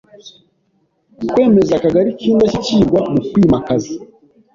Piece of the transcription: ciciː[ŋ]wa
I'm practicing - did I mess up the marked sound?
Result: yes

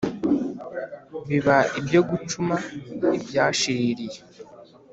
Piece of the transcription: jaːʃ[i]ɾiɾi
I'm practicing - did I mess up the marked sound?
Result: no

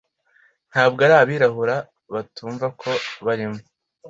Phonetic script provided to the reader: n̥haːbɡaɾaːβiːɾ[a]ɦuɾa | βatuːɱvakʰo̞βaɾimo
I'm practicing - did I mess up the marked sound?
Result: no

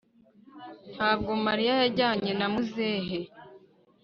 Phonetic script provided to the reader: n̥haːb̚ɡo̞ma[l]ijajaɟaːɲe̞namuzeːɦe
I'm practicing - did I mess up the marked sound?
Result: yes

